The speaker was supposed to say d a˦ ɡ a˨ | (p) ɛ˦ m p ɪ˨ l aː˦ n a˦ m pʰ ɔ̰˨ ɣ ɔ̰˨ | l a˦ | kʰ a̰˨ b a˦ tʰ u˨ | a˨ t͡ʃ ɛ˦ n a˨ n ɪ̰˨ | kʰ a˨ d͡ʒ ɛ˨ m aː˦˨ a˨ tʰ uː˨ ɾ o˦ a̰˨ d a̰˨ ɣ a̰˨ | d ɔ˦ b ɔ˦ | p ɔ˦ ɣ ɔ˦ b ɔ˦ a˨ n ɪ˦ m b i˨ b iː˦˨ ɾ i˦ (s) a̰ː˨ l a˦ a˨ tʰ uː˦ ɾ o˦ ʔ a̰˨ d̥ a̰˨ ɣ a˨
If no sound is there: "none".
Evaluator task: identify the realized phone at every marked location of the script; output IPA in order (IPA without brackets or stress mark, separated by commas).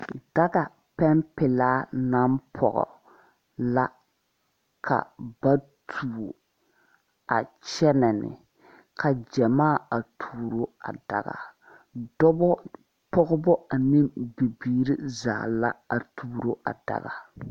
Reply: p, z